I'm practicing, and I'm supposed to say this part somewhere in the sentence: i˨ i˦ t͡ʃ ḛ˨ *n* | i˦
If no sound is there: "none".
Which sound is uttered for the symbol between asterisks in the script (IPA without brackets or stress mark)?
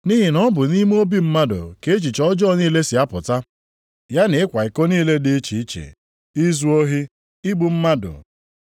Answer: none